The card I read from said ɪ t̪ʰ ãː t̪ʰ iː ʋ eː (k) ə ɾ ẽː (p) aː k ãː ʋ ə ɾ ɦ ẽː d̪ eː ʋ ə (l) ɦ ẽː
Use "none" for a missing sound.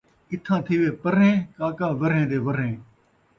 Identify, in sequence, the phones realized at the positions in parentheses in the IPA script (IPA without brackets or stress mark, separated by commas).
p, k, ɾ